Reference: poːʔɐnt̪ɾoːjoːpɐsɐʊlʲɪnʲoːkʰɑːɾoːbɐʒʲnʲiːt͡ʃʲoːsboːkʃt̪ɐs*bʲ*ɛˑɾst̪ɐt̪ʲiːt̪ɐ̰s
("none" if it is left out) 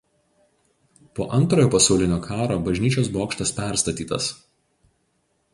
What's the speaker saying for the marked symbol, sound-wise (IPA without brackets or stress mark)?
pʲ